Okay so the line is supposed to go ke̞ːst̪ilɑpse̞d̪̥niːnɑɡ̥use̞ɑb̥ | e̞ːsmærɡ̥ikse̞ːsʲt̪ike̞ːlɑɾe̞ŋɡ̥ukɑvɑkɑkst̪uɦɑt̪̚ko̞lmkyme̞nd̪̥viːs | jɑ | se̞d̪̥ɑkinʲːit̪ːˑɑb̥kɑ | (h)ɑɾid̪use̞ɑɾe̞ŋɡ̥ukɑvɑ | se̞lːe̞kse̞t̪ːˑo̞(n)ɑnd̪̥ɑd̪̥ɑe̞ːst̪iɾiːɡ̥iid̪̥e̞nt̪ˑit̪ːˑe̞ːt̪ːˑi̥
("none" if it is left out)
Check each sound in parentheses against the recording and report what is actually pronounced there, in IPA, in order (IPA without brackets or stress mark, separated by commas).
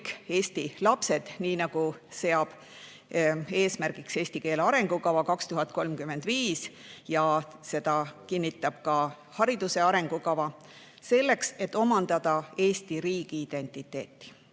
h, m